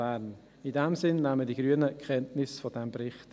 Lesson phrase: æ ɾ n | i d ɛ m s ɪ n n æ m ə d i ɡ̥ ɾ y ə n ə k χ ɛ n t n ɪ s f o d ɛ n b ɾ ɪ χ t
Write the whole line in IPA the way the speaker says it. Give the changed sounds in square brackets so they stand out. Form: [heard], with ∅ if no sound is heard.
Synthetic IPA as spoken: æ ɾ n | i d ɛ m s ɪ n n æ m ə d i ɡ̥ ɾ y ə n ə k χ ɛ n t n ɪ s f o d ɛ [m] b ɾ ɪ χ t